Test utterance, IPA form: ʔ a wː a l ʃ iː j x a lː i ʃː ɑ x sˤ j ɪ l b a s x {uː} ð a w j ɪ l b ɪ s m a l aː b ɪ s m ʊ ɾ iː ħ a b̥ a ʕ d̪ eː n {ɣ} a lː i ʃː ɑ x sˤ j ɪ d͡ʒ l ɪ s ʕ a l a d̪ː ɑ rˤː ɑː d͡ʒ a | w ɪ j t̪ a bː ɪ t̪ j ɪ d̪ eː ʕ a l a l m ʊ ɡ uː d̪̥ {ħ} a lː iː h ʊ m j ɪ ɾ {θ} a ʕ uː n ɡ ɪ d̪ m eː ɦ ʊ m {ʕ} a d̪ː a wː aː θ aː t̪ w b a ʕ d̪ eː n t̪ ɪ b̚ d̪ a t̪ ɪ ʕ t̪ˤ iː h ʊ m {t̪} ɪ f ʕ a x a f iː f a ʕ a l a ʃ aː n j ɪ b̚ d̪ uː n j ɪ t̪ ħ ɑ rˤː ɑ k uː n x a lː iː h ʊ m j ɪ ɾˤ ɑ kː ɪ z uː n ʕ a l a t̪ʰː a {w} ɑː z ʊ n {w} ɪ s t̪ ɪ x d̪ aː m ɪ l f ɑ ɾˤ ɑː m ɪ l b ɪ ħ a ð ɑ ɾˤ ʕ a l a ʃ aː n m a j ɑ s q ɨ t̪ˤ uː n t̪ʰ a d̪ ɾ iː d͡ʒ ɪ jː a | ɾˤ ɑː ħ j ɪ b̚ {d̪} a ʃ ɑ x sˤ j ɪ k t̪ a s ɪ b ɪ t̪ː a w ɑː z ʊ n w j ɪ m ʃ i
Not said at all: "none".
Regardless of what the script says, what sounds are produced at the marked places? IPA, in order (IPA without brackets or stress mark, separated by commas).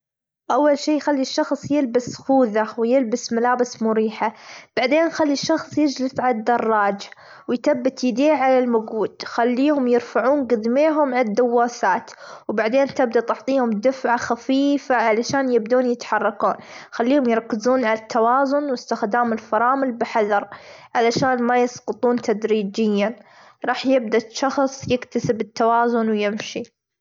uː, x, x, f, ʕ, d̪, w, w, d̪